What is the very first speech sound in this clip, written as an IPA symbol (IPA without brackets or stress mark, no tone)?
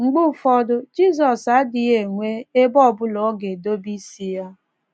ŋ͡m̩